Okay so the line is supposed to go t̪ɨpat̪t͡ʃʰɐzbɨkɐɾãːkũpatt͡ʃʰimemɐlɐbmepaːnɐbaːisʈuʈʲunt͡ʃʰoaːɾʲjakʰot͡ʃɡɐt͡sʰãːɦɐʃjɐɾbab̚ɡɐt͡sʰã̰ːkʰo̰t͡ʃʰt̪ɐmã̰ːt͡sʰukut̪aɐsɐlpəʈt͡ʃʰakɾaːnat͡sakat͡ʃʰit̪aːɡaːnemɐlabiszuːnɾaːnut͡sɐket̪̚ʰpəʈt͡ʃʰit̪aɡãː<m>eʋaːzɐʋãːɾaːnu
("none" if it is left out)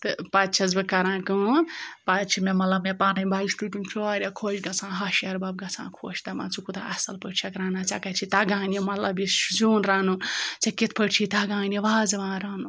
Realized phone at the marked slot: n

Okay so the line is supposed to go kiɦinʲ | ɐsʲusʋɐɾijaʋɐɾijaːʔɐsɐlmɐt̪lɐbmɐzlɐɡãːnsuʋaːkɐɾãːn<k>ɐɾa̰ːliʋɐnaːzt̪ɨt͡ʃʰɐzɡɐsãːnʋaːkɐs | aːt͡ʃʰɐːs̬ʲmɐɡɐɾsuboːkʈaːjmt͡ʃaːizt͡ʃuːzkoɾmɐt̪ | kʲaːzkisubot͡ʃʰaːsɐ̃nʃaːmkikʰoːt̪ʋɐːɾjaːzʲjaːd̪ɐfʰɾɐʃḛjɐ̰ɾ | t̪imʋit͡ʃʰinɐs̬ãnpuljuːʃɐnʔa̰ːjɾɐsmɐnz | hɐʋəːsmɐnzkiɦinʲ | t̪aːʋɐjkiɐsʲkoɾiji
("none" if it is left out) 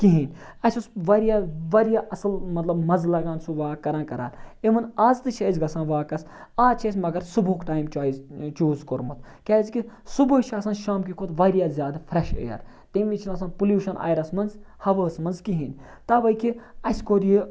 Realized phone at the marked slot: k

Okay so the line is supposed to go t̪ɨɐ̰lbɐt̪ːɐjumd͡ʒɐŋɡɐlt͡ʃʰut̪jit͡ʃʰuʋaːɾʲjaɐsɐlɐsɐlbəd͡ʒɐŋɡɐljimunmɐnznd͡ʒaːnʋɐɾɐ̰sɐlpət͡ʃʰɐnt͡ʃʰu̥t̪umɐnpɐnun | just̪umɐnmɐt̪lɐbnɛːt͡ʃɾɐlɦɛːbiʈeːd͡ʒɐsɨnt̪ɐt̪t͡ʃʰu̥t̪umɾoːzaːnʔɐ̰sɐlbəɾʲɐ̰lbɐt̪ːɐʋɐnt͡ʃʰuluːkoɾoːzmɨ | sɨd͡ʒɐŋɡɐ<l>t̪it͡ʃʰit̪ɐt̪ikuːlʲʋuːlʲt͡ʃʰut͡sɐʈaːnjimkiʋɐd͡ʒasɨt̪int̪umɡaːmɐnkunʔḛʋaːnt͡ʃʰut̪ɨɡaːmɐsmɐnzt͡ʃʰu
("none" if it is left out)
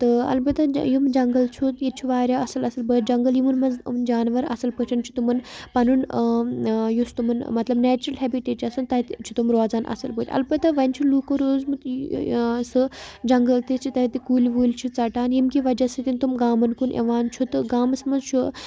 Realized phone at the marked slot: l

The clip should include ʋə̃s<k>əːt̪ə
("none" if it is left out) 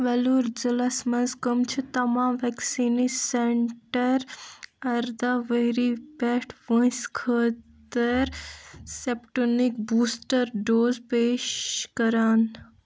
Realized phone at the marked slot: kʰ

